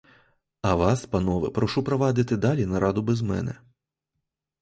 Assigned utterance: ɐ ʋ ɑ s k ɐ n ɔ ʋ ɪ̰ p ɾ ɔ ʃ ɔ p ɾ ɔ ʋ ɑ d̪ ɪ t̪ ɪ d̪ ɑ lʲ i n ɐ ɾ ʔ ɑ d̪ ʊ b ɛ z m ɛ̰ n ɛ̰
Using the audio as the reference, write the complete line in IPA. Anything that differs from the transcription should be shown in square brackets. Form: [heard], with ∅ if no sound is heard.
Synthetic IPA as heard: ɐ ʋ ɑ s [p] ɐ n ɔ ʋ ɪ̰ p ɾ ɔ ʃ [u] p ɾ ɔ ʋ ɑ d̪ ɪ t̪ ɪ d̪ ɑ lʲ i n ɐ ɾ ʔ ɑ d̪ ʊ b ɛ z m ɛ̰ n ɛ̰